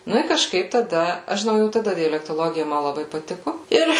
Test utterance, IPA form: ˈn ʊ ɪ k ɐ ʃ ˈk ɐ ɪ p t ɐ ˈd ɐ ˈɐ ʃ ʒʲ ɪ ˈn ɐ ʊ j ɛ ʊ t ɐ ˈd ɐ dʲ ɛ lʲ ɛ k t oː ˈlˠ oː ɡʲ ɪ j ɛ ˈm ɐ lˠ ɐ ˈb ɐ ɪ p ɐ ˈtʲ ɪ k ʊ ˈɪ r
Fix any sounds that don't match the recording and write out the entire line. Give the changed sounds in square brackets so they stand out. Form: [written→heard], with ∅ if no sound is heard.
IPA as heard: ˈn ʊ ɪ k ɐ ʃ ˈk ɐ ɪ p t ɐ ˈd ɐ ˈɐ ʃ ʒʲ ɪ ˈn ɐ ʊ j ɛ ʊ t ɐ ˈd ɐ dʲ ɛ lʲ ɛ k t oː ˈlˠ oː ɡʲ ɪ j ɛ ˈm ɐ lˠ ɐ ˈb ɐ ɪ p ɐ ˈtʲ ɪ k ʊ ˈɪ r